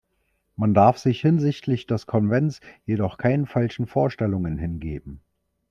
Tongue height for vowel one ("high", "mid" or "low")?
low